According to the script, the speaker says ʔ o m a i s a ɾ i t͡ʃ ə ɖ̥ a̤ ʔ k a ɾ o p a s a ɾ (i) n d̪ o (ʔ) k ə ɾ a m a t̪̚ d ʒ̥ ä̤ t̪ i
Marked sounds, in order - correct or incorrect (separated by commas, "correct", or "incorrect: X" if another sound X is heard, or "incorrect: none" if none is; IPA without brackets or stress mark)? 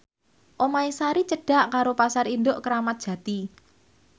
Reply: correct, correct